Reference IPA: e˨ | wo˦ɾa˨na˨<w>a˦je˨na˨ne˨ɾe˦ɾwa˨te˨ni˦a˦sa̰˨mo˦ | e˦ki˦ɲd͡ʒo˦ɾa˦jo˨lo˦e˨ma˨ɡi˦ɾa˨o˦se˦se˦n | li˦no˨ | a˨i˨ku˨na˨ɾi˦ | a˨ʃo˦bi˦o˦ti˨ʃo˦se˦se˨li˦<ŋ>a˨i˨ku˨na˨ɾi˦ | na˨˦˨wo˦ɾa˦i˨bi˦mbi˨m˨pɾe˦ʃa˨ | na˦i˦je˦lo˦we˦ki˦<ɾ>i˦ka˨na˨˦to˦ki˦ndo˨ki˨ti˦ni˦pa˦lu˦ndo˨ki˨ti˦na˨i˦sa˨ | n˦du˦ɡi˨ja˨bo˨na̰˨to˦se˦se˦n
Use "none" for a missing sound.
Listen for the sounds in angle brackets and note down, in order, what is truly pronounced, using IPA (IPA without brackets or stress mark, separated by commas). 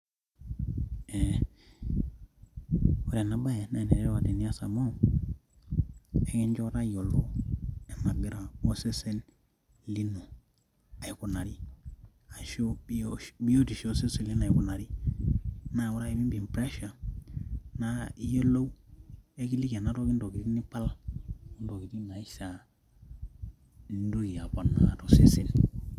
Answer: b, n, l